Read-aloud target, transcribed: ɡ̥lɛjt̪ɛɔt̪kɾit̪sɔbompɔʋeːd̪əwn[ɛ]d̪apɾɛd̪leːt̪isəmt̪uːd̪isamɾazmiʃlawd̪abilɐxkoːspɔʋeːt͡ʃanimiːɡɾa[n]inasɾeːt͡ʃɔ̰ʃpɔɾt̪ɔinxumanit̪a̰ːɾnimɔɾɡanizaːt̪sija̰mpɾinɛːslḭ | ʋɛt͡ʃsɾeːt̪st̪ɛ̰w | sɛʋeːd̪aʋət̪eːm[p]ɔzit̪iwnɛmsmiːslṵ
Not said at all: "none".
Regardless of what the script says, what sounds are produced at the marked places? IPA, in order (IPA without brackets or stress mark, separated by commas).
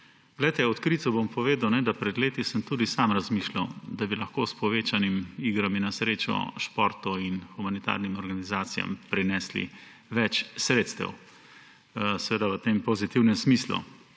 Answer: ɛ, m, p